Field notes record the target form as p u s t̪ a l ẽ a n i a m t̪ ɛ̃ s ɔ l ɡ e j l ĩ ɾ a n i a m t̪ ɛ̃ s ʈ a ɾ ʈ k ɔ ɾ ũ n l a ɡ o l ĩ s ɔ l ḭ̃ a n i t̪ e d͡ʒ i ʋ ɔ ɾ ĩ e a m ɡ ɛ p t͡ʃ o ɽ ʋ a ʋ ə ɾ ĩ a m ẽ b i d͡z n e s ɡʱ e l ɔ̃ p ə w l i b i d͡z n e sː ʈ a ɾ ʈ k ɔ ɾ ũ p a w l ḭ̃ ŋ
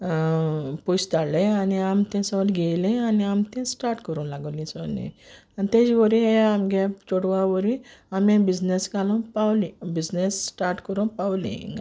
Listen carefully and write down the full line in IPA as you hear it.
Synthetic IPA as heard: p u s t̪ a l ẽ a n i a m t̪ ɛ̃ s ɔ l ɡ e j l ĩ a n i a m t̪ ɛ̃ s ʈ a ɾ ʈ k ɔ ɾ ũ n l a ɡ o l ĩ s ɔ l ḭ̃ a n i t̪ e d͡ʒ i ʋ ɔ ɾ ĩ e a m ɡ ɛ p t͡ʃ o ɽ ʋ a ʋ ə ɾ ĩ a m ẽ b i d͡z n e s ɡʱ a l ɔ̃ p a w l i b i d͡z n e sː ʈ a ɾ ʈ k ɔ ɾ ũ p a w l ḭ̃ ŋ